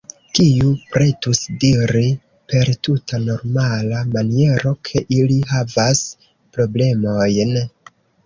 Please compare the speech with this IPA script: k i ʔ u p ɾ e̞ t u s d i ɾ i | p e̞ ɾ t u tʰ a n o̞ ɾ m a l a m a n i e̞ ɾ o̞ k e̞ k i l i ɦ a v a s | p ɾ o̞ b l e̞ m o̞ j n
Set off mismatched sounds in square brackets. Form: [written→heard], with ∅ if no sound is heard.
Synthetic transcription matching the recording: k i [ʔ→∅] u p ɾ e̞ t u s d i ɾ i | p e̞ ɾ t u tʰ a n o̞ ɾ m a l a m a n i e̞ ɾ o̞ [k→kʰ] e̞ [k→ʔ] i l i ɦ a v a s | p ɾ o̞ b l e̞ m o̞ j n